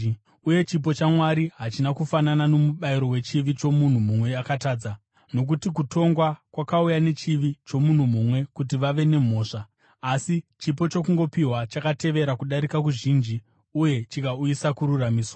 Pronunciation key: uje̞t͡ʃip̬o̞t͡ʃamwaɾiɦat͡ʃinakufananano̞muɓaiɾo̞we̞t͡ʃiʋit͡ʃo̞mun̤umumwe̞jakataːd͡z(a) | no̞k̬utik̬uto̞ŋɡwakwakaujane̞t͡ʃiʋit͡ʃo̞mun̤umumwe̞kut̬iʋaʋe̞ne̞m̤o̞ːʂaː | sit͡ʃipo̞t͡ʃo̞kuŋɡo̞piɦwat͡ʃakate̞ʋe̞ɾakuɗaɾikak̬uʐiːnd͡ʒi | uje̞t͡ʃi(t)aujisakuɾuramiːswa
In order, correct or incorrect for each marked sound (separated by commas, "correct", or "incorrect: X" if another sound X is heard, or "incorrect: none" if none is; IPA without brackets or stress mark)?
correct, incorrect: k